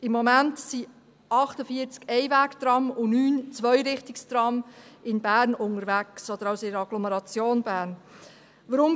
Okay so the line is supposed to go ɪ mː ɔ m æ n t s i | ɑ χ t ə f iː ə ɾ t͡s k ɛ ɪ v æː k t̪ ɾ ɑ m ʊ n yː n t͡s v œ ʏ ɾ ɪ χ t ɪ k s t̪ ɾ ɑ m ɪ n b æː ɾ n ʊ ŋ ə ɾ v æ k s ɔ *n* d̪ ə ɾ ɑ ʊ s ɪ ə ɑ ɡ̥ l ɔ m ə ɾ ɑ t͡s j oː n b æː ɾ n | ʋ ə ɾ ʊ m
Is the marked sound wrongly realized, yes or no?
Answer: yes